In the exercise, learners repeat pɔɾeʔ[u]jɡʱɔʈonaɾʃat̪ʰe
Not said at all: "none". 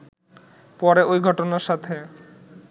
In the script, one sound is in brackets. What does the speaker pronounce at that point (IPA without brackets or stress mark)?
o